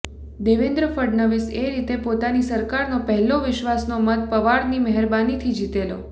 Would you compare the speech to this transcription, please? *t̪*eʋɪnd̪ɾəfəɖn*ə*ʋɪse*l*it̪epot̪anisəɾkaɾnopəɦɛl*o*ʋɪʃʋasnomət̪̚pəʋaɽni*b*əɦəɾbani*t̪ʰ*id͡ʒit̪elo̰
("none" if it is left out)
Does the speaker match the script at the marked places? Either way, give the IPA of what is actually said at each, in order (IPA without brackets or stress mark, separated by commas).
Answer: d̪, ə, ɾ, o, m, t̪ʰ